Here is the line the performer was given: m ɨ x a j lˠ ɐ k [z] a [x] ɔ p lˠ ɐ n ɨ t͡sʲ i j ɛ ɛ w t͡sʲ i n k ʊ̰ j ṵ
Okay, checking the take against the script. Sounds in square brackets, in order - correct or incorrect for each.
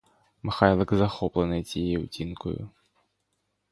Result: correct, correct

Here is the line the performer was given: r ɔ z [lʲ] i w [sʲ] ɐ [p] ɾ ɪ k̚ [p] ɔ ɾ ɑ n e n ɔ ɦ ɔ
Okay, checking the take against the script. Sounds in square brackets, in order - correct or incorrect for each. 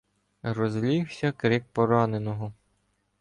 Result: correct, correct, incorrect, correct

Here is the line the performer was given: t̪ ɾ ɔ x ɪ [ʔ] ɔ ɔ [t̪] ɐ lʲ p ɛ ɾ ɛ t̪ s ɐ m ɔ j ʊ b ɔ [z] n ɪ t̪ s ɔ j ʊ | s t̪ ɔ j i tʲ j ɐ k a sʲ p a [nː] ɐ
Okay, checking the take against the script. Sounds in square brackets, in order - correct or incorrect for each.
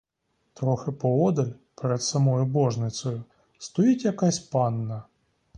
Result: incorrect, incorrect, incorrect, correct

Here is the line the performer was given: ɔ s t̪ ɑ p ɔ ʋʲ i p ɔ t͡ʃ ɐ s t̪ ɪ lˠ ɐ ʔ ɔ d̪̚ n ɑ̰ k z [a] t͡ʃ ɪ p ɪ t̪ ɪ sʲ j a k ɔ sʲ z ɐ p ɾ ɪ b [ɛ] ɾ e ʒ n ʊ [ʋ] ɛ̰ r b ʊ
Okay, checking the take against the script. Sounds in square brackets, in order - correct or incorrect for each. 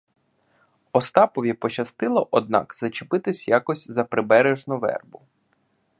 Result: incorrect, correct, correct

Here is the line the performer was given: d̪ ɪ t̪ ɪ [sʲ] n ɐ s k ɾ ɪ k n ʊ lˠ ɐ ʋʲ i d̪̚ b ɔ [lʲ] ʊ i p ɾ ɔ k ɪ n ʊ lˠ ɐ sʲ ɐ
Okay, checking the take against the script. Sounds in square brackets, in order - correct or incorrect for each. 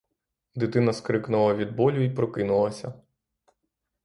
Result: incorrect, correct

